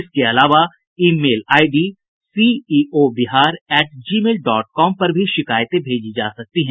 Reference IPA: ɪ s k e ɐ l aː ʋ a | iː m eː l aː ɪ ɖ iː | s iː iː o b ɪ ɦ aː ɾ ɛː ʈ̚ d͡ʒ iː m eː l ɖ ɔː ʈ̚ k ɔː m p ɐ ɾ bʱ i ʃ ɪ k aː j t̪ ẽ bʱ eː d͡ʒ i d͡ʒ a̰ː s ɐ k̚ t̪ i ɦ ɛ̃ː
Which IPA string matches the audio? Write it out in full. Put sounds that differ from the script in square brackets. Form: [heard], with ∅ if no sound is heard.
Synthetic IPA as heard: ɪ s k e ɐ l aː ʋ a | iː m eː l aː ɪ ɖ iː | s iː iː o b ɪ ɦ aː ɾ ɛː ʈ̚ d͡ʒ iː m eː l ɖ ɔː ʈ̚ k ɔː m p ɐ ɾ bʱ i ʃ ɪ k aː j t̪ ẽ bʱ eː d͡ʒ i d͡ʒ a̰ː s ɐ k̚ t̪ i ɦ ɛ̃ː

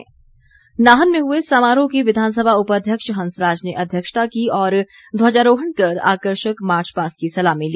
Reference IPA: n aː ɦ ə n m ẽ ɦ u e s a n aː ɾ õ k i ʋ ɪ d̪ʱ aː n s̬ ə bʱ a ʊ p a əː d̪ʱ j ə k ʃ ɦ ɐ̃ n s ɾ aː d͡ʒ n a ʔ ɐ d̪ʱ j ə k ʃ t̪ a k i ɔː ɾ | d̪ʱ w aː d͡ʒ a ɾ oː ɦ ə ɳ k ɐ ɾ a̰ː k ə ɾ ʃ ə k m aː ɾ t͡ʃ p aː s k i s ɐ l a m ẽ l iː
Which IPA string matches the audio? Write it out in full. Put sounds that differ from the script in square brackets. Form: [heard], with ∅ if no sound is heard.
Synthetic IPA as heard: n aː ɦ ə n m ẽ ɦ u e s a [m] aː ɾ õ k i ʋ ɪ d̪ʱ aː n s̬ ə bʱ a ʊ p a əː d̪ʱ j ə k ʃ ɦ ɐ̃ n s ɾ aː d͡ʒ n [e] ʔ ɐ d̪ʱ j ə k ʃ t̪ a k i ɔː ɾ | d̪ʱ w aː d͡ʒ a ɾ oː ɦ ə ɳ k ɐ ɾ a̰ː k ə ɾ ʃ ə k m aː ɾ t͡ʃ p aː s k i s ɐ l a m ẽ l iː

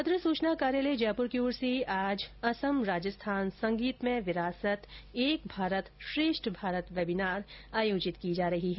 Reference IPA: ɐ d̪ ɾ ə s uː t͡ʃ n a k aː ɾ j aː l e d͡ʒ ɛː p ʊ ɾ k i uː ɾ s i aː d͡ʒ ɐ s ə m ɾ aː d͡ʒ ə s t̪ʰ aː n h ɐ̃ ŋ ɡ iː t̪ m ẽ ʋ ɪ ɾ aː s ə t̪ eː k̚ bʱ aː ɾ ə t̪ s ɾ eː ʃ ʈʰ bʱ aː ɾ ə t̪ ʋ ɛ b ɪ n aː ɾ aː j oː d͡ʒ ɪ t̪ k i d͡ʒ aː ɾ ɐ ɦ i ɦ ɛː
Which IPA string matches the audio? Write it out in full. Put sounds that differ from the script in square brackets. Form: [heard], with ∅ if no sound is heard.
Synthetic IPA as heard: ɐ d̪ ɾ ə s uː t͡ʃ n a k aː ɾ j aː l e d͡ʒ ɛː p ʊ ɾ k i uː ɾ s i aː d͡ʒ ɐ s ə m ɾ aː d͡ʒ ə s t̪ʰ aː n [s] ɐ̃ ŋ ɡ iː t̪ m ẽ ʋ ɪ ɾ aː s ə t̪ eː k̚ bʱ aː ɾ ə t̪ [ʃ] ɾ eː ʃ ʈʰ bʱ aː ɾ ə t̪ ʋ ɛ b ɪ n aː ɾ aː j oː d͡ʒ ɪ t̪ k i d͡ʒ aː ɾ ɐ ɦ i ɦ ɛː

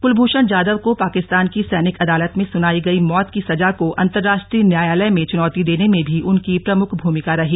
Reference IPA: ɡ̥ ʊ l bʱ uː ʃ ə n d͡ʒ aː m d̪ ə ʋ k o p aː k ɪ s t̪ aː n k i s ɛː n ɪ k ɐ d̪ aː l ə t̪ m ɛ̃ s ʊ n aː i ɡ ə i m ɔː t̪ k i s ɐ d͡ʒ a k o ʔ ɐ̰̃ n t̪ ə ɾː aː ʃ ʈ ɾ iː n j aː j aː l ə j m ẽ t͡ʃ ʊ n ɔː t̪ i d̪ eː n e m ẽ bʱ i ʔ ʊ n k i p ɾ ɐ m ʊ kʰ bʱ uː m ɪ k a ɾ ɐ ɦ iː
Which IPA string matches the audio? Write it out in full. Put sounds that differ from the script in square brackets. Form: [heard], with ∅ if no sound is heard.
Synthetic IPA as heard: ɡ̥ ʊ l bʱ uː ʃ ə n d͡ʒ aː [∅] d̪ ə ʋ k o p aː k ɪ s t̪ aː n k i s ɛː n ɪ k ɐ d̪ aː l ə t̪ m [ẽ] s ʊ n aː i ɡ [ɐ] i m ɔː t̪ k i s ɐ d͡ʒ a k o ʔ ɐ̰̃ n t̪ ə ɾː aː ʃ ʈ ɾ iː n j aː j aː l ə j m ẽ t͡ʃ ʊ n ɔː t̪ i d̪ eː n e m ẽ bʱ i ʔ ʊ n k i p ɾ ɐ m ʊ kʰ bʱ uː m ɪ k a ɾ ɐ ɦ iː

